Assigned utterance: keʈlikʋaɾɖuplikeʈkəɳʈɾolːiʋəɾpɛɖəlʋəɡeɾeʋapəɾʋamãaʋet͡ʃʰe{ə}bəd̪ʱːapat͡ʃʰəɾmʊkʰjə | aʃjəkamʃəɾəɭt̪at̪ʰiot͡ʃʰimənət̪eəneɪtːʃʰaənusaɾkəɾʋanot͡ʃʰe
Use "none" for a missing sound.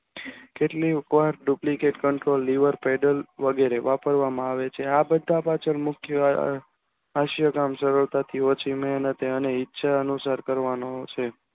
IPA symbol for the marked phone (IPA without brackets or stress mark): a